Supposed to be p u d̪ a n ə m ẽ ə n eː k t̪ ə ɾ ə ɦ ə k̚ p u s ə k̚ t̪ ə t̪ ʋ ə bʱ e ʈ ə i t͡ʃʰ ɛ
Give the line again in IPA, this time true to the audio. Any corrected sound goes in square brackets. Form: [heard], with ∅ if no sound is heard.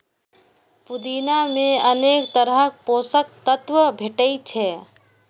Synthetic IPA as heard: p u d̪ [i] n [a] m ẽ ə n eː k t̪ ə ɾ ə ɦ ə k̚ p [o] s ə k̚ t̪ ə t̪ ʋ ə bʱ e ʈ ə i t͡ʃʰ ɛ